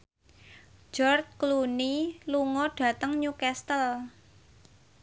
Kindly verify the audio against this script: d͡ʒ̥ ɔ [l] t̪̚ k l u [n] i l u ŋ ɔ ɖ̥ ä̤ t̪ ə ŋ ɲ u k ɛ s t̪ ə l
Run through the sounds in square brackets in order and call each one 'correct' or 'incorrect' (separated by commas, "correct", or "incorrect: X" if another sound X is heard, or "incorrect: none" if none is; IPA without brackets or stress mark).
incorrect: r, correct